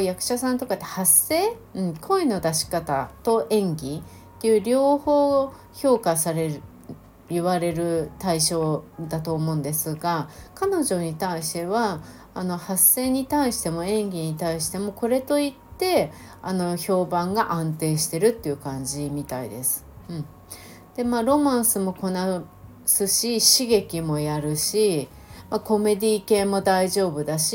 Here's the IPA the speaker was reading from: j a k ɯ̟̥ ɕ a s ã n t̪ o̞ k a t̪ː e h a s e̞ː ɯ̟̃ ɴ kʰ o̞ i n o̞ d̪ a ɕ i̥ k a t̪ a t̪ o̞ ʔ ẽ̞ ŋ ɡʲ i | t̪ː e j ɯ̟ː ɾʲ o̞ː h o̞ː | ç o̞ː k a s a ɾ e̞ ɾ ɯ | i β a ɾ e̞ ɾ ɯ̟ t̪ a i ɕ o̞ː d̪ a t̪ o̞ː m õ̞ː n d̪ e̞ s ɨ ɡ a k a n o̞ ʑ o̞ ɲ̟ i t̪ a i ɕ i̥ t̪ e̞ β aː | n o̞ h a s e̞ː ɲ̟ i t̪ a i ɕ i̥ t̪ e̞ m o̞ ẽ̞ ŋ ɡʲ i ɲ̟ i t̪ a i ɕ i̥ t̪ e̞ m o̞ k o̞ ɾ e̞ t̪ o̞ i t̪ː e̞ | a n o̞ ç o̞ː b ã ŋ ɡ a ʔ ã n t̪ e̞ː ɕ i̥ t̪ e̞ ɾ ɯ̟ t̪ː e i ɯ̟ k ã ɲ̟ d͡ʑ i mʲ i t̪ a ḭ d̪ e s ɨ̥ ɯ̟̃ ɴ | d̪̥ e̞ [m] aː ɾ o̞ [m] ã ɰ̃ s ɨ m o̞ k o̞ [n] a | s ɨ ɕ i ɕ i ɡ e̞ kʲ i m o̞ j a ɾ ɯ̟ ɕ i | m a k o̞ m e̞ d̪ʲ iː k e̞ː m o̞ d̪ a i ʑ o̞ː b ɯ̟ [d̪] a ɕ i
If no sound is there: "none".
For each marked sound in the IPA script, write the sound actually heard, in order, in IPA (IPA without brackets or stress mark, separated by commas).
m, m, n, d̪